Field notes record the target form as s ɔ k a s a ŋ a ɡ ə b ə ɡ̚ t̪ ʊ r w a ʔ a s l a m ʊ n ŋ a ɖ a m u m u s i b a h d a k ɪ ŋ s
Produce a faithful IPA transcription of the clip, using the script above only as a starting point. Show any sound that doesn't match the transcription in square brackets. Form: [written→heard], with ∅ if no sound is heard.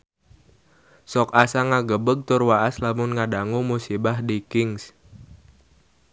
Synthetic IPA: s ɔ k a s a ŋ a ɡ ə b ə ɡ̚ t̪ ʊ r w a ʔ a s l a m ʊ n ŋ a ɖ a [m→ŋ] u m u s i b a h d [a→i] k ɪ ŋ s